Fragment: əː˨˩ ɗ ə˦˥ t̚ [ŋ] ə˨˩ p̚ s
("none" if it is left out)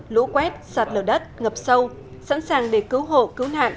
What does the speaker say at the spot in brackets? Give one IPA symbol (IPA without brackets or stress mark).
ŋ